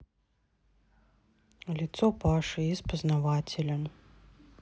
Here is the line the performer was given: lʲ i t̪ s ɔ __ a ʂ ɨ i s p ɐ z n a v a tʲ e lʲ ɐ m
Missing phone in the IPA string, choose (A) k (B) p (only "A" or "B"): B